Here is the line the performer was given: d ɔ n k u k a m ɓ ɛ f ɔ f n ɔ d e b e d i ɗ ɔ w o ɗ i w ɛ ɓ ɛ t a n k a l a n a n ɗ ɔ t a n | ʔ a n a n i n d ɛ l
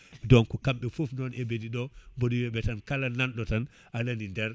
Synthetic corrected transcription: d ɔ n k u k a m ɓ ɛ f u f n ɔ n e b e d i ɗ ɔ b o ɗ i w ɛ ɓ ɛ t a n k a l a n a n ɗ ɔ t a n | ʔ a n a n i n d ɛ ɾ